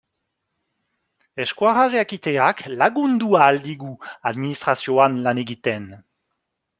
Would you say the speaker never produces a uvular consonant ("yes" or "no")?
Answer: no